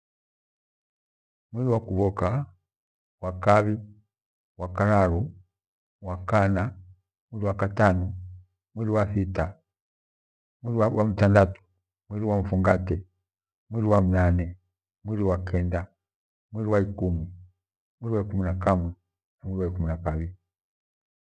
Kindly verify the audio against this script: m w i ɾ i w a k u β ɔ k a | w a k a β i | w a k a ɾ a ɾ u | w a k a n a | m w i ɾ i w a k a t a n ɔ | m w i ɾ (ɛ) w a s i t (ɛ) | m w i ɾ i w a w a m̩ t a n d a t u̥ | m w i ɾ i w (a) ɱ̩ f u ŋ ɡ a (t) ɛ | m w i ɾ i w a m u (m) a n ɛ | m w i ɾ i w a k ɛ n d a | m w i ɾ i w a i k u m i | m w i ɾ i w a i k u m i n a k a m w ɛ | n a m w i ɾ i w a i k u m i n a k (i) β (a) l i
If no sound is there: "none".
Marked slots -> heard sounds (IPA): i, a, a, t, n, a, i

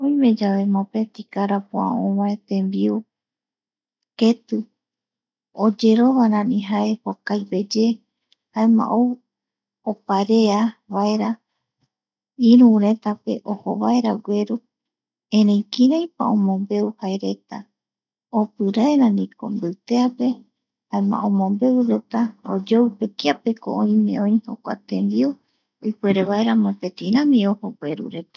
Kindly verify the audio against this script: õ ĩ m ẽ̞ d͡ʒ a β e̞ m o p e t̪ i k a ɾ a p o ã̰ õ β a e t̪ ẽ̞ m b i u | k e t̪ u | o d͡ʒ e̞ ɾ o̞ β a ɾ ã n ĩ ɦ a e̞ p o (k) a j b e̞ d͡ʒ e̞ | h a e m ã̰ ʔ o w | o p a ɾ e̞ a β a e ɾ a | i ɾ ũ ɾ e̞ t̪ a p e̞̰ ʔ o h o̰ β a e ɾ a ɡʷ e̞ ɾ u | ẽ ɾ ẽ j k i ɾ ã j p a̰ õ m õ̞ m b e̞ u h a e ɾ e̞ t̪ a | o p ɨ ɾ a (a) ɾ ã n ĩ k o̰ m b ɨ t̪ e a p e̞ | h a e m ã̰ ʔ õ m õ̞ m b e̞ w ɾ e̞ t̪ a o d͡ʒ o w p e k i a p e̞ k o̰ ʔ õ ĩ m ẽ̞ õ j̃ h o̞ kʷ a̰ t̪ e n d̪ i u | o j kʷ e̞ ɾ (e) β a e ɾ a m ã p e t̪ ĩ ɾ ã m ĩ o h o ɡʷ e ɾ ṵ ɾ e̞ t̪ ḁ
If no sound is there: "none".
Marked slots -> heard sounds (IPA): k, e, e

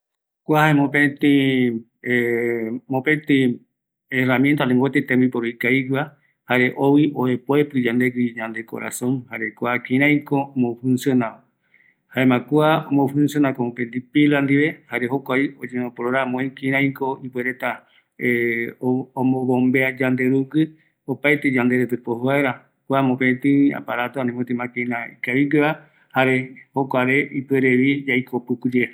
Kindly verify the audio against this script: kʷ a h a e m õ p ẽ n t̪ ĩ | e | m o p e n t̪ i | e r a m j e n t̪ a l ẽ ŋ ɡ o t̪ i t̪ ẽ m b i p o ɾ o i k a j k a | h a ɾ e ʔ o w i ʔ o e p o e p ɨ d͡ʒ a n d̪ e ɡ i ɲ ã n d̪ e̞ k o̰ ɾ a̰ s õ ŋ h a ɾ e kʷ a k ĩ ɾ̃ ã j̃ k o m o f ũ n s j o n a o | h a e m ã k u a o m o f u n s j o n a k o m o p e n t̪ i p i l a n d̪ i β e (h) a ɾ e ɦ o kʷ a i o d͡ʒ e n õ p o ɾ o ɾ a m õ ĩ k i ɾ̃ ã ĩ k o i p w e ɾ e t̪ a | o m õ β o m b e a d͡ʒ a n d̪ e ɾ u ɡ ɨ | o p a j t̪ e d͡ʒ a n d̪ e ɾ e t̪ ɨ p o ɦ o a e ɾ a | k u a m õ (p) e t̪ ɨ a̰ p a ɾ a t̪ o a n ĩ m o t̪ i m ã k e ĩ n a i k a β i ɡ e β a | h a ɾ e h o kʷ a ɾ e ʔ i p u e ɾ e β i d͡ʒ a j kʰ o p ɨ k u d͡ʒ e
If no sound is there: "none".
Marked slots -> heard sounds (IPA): h, p

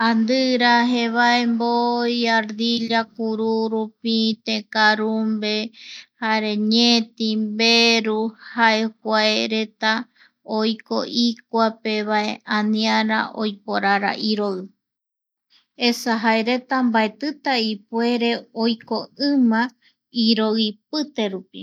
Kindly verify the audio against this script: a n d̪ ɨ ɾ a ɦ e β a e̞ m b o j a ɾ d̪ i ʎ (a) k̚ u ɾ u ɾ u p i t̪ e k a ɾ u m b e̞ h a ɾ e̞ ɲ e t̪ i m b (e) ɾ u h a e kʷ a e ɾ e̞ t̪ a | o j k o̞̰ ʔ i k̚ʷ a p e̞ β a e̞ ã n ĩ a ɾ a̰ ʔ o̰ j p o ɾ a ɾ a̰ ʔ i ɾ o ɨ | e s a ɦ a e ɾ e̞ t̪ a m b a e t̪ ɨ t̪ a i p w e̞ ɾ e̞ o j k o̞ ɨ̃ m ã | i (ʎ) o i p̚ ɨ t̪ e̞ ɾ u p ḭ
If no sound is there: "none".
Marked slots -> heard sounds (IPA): a, e, ɾ

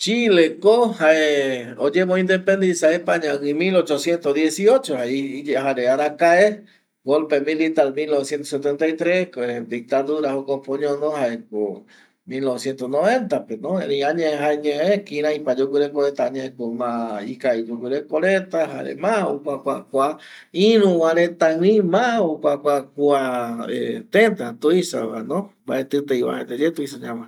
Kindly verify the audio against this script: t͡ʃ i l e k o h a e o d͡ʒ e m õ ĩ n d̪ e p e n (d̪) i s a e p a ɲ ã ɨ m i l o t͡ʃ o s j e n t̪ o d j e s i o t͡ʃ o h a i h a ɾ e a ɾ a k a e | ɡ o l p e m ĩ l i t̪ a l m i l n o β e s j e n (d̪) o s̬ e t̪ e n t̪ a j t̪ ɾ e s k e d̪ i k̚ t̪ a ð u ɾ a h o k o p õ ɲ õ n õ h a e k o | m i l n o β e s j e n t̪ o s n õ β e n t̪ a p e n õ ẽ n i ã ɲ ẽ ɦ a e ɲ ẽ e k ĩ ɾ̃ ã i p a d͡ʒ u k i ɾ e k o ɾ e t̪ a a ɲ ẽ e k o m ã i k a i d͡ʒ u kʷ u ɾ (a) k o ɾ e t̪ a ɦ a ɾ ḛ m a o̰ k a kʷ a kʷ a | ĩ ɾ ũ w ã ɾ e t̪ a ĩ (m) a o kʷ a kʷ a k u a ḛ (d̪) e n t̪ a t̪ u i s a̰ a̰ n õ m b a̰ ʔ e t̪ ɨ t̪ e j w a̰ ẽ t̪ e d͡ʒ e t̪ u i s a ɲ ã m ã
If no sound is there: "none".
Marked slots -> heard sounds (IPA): d̪, t̪, e, m, t̪

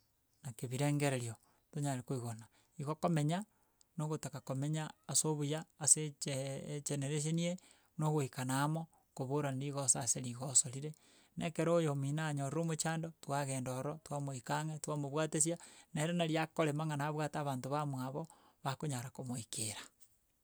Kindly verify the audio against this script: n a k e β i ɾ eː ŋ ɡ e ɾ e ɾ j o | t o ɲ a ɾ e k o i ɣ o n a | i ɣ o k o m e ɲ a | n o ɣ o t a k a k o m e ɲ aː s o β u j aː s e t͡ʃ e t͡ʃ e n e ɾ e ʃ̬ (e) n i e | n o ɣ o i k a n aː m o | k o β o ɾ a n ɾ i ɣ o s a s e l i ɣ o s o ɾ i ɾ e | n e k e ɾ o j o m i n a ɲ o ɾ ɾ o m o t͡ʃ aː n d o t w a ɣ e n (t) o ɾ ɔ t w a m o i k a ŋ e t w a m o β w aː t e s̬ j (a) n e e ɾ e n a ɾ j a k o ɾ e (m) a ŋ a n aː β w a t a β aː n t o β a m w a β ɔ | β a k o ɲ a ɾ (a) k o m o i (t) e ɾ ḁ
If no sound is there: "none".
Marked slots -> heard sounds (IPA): e, d, a, m, a, k

